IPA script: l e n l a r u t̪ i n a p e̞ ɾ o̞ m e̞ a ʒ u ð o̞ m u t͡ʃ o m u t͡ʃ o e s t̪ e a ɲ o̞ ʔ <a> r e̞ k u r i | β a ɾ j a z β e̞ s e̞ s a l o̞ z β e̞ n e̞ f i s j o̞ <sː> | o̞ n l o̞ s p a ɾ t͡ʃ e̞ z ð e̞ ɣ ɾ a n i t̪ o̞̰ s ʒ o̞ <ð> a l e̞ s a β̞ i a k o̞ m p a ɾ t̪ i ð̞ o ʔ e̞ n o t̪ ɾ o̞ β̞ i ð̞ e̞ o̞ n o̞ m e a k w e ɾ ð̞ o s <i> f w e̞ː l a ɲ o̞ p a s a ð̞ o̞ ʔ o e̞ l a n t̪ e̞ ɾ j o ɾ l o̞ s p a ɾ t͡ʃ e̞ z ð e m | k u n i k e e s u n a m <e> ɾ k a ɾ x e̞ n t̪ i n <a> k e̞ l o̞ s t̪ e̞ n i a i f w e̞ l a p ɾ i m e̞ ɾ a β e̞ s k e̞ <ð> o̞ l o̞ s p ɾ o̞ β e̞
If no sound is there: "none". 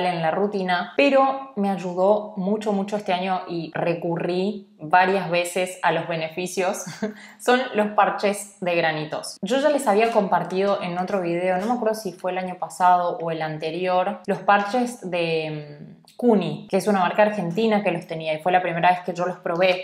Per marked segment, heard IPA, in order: i, sː, ʒ, i, a, a, ʒ

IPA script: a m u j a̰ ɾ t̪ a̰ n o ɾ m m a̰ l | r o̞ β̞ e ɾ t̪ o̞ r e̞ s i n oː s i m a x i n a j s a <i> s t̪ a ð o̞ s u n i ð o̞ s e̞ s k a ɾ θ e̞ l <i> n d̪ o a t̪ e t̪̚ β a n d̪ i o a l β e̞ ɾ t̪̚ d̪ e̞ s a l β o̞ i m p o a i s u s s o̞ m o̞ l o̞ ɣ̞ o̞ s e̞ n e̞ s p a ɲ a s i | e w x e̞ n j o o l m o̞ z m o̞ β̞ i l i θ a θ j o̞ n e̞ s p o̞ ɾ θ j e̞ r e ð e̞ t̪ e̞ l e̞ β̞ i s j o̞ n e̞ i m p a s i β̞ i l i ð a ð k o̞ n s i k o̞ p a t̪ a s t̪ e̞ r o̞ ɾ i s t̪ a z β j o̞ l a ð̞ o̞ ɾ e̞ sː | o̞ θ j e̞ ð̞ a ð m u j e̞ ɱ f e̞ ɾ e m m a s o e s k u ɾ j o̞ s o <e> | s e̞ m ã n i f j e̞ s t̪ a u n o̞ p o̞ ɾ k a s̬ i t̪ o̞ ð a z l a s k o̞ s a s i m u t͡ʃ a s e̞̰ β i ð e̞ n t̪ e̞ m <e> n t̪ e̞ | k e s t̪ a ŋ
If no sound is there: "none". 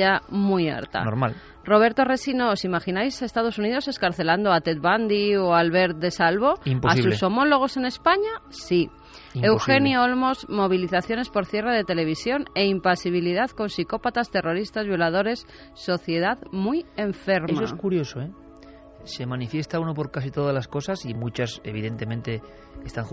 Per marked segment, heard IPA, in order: e, a, e, ẽ

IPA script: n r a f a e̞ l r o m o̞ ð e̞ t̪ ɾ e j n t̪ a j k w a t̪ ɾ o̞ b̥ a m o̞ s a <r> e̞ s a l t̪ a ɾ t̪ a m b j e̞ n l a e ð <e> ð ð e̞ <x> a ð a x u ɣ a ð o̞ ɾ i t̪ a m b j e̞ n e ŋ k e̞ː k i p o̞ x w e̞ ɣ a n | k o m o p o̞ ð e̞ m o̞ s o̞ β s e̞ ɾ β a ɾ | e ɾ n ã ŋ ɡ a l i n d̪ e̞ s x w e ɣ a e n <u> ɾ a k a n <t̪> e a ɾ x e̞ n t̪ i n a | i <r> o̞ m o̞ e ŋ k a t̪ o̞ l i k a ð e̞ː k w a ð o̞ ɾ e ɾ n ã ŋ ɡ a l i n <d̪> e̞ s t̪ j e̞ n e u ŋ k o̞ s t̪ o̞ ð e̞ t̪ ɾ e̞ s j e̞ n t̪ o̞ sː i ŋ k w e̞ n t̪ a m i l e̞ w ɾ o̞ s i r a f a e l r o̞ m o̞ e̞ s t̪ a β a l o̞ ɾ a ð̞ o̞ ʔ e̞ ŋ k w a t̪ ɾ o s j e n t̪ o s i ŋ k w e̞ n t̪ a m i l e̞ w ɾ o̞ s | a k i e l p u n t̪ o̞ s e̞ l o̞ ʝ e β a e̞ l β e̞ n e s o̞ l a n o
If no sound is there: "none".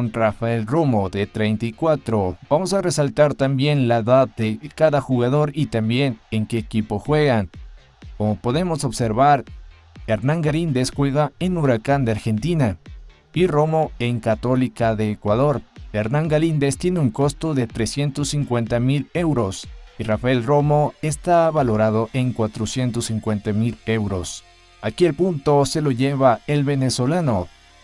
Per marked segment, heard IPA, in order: r, a, k, u, d̪, r, d̪

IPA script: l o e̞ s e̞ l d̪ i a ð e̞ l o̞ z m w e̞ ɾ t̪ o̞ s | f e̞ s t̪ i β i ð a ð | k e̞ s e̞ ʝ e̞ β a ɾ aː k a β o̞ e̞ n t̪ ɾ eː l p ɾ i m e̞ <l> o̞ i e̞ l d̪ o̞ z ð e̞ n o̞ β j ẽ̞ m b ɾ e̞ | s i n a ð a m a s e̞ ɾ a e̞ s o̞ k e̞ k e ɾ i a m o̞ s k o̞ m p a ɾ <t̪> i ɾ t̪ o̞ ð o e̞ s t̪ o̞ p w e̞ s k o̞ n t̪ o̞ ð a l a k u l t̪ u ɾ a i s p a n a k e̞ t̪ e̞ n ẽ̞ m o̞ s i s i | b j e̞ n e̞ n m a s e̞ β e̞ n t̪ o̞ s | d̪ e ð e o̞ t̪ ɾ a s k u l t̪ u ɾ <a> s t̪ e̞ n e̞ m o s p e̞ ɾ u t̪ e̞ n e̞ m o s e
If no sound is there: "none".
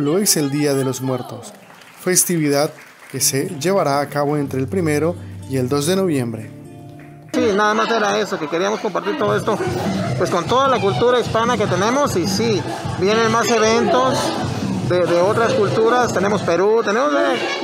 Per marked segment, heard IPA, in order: ɾ, t̪, a

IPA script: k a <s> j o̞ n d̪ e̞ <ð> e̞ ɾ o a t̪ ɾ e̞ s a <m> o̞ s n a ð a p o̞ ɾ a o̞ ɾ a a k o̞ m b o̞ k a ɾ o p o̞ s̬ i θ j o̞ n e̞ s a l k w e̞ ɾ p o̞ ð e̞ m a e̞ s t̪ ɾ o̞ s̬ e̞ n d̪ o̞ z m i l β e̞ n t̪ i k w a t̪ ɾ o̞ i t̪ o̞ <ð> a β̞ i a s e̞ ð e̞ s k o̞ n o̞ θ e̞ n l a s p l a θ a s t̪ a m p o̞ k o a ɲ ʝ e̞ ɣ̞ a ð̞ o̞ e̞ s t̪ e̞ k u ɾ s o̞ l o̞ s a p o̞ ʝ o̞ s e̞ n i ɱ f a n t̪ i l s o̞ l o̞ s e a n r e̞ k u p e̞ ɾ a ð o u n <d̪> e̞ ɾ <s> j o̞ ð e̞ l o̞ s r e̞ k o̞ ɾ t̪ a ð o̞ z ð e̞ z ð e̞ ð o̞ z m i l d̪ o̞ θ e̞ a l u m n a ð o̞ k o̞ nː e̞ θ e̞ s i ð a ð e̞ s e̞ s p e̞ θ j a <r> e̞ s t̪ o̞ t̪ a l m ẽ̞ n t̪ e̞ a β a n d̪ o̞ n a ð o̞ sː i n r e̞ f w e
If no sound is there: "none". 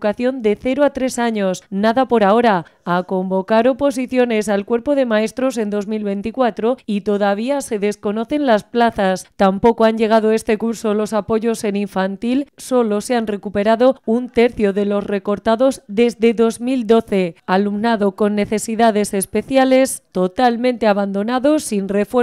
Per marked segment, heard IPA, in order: θ, θ, ɲ, ð, t̪, θ, l

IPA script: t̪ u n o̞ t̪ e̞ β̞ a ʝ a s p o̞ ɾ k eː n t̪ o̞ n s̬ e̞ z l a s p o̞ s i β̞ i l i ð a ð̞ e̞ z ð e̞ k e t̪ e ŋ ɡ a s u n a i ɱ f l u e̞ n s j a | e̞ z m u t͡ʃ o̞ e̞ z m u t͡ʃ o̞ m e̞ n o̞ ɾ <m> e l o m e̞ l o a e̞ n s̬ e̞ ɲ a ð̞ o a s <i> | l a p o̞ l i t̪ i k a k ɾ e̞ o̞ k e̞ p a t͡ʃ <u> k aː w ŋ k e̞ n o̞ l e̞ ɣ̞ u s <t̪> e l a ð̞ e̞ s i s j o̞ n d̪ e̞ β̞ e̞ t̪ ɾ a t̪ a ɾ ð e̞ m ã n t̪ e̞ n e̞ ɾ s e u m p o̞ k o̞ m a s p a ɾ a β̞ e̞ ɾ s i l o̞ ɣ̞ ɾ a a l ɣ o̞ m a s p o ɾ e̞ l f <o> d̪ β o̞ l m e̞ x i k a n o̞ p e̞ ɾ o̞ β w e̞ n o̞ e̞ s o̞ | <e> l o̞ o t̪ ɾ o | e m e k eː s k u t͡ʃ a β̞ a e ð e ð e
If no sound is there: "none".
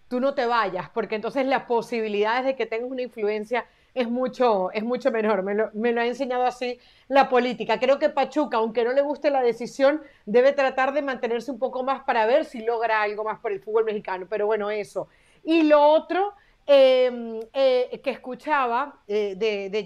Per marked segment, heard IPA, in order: m, i, u, t̪, u, i

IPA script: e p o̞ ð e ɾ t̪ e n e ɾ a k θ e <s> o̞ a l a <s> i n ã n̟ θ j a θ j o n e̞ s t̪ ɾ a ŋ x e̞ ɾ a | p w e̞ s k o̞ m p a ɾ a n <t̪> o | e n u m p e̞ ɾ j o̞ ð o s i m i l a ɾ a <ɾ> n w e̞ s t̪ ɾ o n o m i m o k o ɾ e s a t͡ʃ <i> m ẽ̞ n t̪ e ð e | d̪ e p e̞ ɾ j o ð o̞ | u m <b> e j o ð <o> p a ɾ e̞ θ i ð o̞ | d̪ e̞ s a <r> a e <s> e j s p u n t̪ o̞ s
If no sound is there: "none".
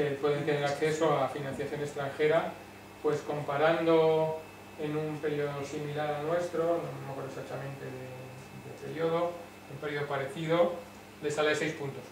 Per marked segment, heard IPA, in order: s, f, d̪, l, a, p, o, l, s

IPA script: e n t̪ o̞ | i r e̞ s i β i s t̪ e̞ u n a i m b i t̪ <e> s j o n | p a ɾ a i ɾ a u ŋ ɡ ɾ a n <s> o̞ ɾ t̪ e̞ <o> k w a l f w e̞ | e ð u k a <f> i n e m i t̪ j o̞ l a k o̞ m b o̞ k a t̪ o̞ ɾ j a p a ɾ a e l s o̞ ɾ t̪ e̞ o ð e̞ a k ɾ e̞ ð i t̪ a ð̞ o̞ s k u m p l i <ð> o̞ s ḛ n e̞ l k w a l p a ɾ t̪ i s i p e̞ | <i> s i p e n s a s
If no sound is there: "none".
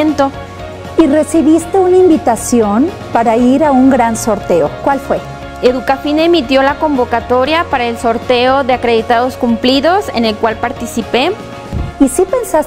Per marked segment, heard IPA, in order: a, s, o, f, ð, i

